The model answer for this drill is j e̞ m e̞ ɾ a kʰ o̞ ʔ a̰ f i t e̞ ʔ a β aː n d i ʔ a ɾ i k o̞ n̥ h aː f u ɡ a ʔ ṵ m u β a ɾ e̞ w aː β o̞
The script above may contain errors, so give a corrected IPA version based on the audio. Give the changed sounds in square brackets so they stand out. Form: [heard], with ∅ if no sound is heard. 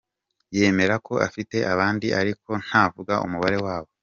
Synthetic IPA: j e̞ m e̞ ɾ a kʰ o̞ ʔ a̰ f i t e̞ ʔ a β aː n d i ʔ a ɾ i k o̞ n̥ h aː [v] u ɡ a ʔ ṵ m u β a ɾ e̞ w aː β o̞